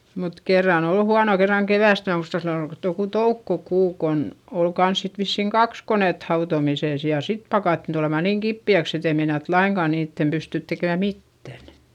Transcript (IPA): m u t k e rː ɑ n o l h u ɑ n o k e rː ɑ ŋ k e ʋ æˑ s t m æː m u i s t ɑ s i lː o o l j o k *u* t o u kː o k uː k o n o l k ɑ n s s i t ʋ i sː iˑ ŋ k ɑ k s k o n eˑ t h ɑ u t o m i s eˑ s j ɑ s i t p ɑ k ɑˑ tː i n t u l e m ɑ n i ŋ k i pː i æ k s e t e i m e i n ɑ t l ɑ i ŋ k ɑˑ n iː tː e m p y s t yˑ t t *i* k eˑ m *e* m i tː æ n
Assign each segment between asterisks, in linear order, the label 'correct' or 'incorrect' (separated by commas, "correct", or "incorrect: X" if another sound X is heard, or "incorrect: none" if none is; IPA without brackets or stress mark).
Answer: correct, incorrect: e, incorrect: æ